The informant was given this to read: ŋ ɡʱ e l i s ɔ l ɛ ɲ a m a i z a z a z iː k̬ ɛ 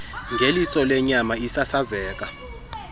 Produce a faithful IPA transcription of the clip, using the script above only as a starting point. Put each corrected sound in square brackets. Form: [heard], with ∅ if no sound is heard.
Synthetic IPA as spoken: ŋ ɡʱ e l i s ɔ l ɛ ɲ a m a i [s] a [s] a z [ɛː] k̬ [a]